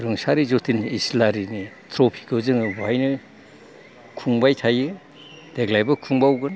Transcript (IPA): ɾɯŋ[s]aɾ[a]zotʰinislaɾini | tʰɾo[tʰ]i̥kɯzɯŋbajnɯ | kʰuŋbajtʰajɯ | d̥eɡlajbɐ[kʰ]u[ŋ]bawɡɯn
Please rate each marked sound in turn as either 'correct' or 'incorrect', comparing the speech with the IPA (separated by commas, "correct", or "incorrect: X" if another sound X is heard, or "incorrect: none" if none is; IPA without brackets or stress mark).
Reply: correct, incorrect: i, incorrect: pʰ, correct, correct